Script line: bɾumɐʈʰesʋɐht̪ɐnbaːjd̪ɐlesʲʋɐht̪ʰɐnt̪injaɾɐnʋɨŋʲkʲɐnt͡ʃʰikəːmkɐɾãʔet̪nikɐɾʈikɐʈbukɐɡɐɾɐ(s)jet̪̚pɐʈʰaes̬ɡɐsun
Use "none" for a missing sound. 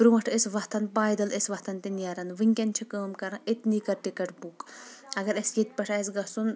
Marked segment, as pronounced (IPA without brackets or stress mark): s